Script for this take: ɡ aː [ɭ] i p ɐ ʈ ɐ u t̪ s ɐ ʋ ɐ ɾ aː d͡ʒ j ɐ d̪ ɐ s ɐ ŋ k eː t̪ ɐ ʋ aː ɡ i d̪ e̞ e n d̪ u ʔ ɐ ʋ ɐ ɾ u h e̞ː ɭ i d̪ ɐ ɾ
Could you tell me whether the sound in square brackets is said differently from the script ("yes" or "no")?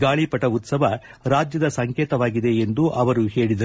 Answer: no